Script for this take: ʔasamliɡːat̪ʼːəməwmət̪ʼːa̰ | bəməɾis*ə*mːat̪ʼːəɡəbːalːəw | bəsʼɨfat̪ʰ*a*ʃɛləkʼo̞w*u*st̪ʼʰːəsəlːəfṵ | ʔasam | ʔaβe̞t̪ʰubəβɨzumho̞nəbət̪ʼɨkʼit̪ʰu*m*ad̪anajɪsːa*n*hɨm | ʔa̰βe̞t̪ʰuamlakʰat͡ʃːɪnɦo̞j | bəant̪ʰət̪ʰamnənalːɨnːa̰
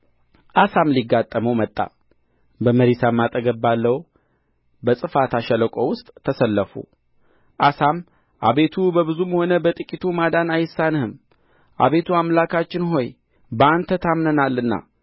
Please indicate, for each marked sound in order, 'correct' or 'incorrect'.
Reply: incorrect, correct, incorrect, correct, correct

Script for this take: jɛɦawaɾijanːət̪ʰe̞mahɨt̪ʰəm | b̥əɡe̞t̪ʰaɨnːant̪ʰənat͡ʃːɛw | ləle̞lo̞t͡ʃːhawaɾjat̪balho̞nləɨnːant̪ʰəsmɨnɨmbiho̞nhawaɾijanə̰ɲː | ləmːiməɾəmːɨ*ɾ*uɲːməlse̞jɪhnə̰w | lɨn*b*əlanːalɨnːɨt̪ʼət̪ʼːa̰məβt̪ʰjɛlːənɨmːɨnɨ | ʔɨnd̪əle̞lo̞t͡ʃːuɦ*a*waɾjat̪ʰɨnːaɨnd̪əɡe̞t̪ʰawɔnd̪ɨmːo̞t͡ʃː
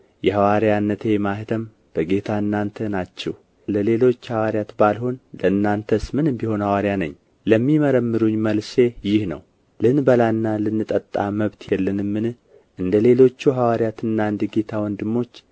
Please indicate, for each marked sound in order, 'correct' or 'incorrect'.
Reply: correct, correct, correct

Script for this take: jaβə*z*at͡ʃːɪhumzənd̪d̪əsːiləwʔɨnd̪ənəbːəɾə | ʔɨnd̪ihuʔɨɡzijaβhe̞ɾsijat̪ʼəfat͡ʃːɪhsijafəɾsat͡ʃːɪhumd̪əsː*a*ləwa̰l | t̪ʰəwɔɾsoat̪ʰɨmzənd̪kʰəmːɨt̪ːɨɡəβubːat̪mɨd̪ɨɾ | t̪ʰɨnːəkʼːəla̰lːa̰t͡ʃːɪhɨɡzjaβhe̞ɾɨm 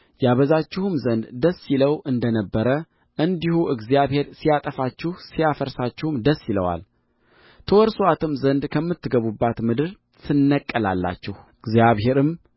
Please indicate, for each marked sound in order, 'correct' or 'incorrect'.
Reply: correct, incorrect

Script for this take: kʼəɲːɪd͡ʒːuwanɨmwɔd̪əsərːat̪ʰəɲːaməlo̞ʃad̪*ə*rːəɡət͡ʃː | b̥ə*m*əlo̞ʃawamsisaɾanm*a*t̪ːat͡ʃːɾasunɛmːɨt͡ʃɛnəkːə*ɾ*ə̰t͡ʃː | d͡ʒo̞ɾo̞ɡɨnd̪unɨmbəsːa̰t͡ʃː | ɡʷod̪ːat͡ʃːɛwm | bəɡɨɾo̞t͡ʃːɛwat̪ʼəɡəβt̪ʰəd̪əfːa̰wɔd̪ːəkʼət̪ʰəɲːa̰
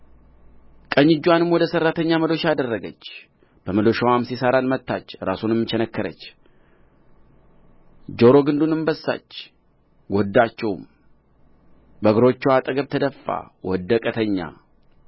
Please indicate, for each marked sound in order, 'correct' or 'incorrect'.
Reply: correct, correct, incorrect, correct

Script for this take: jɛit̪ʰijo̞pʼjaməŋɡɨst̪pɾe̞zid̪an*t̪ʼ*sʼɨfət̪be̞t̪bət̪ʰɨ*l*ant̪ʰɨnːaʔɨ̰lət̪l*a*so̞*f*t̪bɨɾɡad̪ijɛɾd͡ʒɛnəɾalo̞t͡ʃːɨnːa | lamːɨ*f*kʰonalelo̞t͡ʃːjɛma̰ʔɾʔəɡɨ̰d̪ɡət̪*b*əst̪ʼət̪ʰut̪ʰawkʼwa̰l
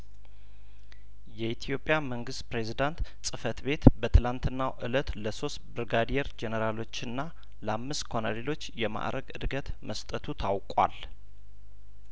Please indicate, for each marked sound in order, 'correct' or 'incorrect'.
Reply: incorrect, correct, incorrect, incorrect, incorrect, incorrect

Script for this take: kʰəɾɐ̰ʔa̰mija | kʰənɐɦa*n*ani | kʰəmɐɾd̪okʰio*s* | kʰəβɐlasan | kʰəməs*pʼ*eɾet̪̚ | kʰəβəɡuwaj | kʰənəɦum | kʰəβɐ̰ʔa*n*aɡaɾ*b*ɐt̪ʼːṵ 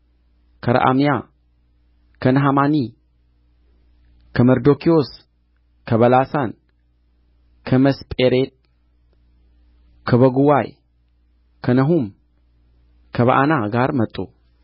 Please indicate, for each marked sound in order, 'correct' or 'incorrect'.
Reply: incorrect, correct, correct, correct, incorrect

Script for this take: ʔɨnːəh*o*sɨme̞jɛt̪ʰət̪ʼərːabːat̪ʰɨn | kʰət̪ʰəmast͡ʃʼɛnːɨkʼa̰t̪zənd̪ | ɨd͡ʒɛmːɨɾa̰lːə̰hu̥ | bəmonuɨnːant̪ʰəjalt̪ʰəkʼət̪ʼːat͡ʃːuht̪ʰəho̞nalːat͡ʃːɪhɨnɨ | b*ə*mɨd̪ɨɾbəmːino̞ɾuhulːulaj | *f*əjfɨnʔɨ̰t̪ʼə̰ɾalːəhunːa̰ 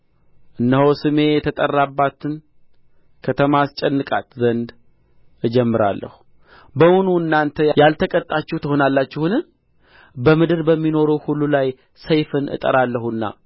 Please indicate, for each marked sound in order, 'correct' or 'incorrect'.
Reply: correct, correct, incorrect

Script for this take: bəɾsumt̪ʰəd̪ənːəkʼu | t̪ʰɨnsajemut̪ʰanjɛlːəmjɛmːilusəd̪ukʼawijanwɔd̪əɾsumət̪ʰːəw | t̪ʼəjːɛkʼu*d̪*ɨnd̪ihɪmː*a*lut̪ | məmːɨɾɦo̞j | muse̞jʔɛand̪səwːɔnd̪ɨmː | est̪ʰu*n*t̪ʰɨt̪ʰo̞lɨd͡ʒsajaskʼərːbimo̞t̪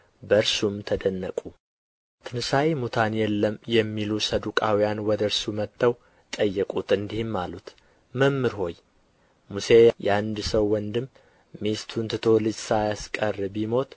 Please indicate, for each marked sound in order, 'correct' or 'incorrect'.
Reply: incorrect, correct, correct

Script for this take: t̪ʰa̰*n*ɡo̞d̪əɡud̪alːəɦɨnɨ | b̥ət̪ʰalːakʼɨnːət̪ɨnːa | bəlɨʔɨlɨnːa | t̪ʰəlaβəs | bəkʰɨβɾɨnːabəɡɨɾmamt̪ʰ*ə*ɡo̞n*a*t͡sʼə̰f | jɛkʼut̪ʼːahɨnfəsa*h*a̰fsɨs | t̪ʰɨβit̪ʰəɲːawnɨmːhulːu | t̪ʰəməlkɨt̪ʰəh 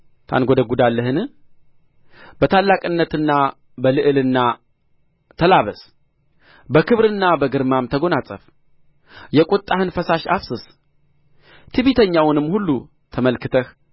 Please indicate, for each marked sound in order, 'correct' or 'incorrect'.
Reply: correct, correct, correct, incorrect

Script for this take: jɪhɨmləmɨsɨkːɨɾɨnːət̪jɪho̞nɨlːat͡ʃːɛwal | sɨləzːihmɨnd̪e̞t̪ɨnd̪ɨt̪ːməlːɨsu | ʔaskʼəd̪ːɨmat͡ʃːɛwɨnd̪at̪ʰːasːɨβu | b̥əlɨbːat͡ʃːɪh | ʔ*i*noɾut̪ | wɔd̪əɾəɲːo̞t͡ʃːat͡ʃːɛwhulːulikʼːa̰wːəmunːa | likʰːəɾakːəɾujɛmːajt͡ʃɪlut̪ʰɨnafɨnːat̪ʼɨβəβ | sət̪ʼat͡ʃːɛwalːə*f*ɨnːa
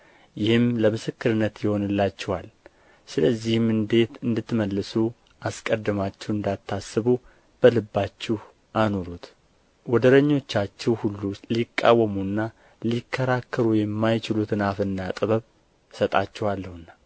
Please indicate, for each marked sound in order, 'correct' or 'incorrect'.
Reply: incorrect, incorrect

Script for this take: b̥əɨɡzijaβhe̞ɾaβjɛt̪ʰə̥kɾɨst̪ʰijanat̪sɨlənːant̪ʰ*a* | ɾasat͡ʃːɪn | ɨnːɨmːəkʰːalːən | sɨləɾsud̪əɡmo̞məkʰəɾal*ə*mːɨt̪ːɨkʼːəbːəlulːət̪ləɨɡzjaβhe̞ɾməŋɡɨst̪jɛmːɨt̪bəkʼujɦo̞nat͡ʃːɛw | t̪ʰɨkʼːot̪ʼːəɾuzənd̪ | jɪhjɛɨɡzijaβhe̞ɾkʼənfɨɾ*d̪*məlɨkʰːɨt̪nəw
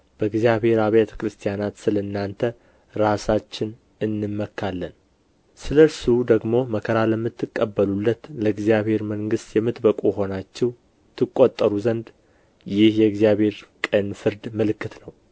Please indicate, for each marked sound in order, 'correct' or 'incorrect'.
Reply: incorrect, correct, correct

